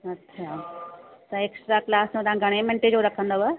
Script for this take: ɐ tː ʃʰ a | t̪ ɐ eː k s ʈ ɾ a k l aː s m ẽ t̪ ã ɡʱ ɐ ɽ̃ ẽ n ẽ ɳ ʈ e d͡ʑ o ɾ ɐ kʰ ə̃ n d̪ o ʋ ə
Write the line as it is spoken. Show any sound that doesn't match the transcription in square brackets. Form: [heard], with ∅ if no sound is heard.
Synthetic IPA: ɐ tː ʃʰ a | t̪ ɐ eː k s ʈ ɾ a k l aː s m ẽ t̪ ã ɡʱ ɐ ɽ̃ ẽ [m] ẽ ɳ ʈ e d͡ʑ o ɾ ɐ kʰ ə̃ n d̪ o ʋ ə